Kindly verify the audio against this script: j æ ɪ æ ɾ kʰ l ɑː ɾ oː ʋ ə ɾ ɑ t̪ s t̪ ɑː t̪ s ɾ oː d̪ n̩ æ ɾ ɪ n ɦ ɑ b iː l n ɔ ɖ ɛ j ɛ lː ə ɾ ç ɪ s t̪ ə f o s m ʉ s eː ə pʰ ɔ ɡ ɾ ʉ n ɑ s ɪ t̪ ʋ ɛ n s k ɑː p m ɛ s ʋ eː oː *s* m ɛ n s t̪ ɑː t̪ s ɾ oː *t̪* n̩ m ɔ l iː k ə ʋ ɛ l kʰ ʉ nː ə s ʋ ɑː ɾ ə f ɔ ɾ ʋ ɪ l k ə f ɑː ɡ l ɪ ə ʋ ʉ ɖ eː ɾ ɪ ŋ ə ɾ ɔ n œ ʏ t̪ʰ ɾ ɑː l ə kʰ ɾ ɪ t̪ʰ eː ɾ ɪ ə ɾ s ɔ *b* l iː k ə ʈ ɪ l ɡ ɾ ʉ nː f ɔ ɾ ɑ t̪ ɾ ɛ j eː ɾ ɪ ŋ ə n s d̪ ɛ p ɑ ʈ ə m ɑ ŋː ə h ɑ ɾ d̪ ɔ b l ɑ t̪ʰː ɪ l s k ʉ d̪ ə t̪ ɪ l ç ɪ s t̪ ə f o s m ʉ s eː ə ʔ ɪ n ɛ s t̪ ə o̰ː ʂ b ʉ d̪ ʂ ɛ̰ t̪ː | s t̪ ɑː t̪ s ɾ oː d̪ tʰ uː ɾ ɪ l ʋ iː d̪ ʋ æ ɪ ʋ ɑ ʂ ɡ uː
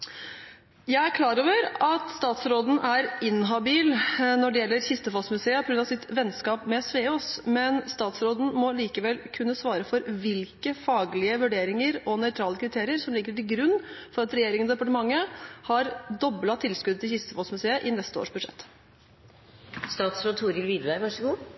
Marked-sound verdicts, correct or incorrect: correct, incorrect, incorrect

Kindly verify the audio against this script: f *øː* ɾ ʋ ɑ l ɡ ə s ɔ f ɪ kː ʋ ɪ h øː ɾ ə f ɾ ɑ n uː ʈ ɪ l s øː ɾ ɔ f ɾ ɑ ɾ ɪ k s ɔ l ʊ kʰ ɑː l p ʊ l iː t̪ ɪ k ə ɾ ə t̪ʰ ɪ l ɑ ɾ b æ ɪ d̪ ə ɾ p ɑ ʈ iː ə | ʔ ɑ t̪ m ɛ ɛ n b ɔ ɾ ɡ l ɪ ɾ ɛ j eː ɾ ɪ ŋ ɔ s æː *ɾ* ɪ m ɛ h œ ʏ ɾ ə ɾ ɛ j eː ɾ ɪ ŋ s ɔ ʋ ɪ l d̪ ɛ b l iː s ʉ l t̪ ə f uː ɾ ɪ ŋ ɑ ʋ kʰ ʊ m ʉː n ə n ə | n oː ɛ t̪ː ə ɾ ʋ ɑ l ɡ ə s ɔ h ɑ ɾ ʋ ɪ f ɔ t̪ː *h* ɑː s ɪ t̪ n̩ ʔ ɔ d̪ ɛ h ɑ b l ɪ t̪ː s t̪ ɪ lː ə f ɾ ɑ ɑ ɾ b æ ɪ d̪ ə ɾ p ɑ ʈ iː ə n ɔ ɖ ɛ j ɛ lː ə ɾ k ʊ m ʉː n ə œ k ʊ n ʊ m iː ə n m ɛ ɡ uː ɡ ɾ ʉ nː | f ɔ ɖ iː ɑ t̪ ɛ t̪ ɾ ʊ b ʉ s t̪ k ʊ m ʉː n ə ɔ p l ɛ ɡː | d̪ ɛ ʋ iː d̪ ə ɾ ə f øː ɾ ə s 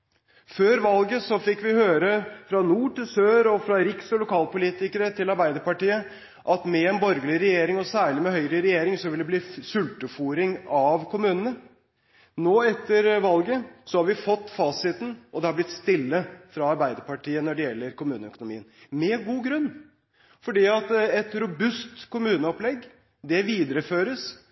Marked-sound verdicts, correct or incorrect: correct, incorrect, incorrect

